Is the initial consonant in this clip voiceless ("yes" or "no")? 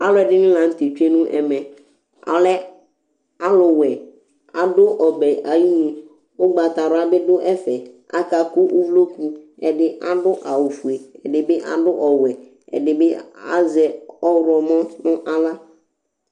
no